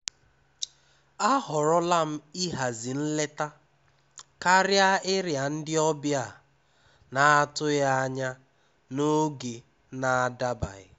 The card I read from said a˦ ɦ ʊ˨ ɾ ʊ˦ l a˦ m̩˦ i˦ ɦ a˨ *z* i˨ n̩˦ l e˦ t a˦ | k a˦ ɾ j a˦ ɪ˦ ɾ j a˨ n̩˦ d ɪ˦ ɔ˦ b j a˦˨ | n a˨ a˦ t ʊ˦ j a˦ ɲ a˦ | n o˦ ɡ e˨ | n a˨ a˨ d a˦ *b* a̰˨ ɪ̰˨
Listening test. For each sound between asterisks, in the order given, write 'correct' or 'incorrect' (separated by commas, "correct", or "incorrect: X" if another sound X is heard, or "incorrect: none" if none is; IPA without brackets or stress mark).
correct, correct